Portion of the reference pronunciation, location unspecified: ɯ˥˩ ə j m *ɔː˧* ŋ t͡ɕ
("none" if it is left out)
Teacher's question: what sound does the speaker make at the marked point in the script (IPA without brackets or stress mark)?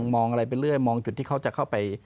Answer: ɔː˧